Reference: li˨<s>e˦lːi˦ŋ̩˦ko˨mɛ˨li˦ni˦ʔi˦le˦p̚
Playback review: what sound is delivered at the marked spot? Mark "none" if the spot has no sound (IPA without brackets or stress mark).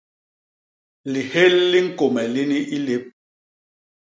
h